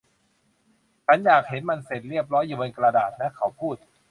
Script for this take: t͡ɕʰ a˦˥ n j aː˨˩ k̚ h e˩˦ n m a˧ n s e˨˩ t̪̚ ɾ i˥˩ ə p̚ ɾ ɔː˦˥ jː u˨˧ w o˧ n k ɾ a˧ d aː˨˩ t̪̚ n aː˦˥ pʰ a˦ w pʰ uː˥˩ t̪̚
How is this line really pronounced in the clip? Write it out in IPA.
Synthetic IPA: t͡ɕʰ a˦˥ n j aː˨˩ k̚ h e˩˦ n m a˧ n s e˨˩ t̪̚ ɾ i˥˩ ə p̚ ɾ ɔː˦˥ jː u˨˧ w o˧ n k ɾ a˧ d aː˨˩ t̪̚ n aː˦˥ kʰ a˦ w pʰ uː˥˩ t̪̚